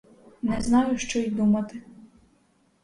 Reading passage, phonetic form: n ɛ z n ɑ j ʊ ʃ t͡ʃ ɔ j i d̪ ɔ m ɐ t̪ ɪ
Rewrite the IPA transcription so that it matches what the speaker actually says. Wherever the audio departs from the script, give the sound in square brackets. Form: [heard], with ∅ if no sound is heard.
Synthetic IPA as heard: n ɛ z n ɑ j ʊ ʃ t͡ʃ ɔ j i d̪ [u] m ɐ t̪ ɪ